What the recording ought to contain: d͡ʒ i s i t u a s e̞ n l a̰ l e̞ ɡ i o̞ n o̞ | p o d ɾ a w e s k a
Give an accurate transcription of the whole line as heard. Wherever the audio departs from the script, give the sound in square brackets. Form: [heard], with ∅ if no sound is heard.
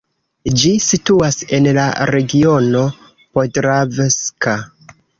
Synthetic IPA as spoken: d͡ʒ i s i t u a s e̞ n l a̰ [ɾ] e̞ ɡ i o̞ n o̞ | p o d ɾ a [v] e s k a